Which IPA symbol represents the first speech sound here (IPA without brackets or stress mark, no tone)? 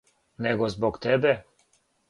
n